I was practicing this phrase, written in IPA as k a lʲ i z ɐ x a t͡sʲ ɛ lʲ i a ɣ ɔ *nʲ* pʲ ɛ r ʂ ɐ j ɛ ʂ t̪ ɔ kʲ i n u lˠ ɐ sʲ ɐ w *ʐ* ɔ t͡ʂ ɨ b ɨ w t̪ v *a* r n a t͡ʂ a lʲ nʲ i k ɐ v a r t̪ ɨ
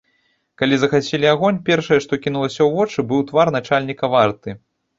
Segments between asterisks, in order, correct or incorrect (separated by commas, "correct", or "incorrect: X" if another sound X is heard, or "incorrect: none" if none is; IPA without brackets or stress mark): correct, incorrect: v, correct